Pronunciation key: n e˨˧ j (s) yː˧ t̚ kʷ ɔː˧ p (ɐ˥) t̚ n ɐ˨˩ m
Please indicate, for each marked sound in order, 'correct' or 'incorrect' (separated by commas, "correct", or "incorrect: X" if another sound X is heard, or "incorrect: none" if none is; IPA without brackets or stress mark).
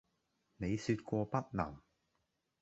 correct, correct